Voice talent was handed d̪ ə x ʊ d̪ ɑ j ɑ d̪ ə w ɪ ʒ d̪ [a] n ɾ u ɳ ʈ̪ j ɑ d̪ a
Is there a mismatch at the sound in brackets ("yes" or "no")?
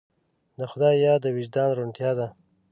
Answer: yes